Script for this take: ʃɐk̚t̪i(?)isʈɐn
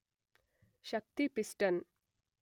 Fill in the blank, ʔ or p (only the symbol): p